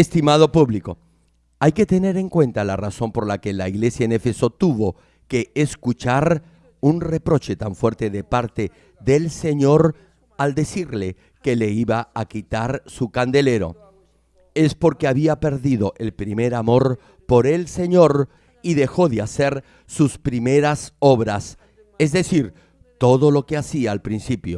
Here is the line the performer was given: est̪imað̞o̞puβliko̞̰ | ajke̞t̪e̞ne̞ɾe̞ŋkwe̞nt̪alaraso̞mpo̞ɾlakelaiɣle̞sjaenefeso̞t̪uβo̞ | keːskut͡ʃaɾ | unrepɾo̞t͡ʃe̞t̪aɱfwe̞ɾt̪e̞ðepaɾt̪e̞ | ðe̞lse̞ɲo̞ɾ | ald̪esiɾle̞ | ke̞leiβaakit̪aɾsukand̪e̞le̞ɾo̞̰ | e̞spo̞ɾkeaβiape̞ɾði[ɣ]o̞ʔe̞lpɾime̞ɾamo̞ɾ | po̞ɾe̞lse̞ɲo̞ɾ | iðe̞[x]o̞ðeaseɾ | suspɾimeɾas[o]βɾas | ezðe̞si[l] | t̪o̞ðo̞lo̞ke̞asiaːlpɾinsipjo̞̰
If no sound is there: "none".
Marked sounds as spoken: ð, x, o, ɾ

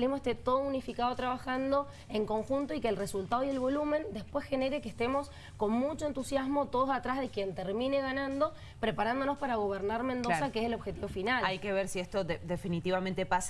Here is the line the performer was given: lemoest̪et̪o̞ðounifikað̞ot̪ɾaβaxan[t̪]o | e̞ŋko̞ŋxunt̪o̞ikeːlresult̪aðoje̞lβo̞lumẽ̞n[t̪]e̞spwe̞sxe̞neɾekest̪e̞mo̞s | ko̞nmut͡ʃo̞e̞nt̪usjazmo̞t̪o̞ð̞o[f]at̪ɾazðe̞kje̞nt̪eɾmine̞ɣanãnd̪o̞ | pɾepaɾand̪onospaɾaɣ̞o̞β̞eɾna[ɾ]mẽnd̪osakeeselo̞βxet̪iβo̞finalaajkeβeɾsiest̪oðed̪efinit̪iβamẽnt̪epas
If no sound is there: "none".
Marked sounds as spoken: d̪, d̪, s, ɾ

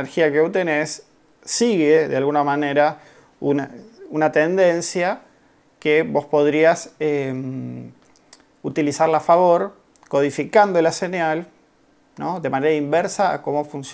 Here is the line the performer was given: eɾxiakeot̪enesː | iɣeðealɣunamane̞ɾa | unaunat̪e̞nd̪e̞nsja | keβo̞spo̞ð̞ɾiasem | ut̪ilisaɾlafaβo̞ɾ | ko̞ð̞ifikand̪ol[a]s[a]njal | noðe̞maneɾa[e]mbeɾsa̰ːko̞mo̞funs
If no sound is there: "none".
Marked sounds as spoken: a, e, i

